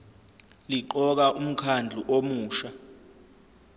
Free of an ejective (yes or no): yes